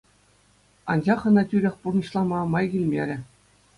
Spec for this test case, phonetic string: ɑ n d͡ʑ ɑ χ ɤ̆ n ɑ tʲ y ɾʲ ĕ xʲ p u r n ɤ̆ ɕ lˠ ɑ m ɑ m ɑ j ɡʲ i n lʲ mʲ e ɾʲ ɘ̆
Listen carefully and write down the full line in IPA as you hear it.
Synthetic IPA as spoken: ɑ n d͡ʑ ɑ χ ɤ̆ n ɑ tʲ y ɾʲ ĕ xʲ p u r n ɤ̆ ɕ lˠ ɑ m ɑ m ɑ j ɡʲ i lʲ mʲ e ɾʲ ɘ̆